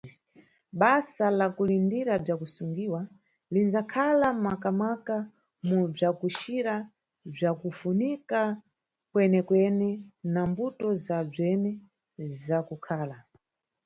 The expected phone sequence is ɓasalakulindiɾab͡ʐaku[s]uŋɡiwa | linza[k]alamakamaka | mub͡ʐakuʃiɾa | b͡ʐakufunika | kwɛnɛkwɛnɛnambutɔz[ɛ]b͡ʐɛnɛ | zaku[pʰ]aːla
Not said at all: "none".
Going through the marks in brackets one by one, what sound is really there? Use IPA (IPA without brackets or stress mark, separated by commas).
s, kʰ, a, kʰ